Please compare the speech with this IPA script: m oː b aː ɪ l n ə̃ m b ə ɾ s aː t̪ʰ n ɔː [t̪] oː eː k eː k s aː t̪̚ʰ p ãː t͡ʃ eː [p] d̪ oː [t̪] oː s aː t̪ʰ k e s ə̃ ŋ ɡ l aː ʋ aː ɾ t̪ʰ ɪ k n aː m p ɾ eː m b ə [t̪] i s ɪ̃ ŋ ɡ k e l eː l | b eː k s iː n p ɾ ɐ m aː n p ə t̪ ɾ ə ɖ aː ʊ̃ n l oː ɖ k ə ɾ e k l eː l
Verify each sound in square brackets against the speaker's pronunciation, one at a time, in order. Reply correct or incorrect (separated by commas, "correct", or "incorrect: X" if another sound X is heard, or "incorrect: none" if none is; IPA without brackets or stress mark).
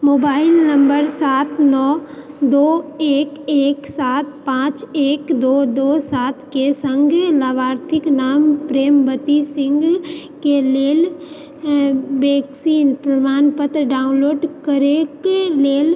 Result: incorrect: d̪, incorrect: k, incorrect: d̪, correct